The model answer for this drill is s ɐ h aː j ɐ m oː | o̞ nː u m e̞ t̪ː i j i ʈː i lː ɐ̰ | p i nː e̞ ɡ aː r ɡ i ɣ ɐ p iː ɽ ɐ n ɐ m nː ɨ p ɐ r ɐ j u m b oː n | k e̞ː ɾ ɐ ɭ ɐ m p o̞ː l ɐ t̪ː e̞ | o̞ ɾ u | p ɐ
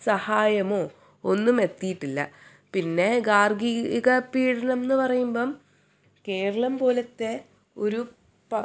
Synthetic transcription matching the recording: s ɐ h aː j ɐ m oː | o̞ nː u m e̞ t̪ː i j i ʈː i lː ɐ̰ | p i nː e̞ ɡ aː r ɡ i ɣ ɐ p iː ɽ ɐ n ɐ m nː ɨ p ɐ r ɐ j u m b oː m | k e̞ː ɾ ɐ ɭ ɐ m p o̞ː l ɐ t̪ː e̞ | o̞ ɾ u | p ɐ